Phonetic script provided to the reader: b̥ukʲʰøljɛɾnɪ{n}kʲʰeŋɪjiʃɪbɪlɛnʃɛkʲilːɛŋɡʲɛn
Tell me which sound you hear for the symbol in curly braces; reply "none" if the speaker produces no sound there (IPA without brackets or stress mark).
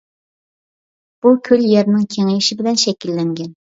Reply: ŋ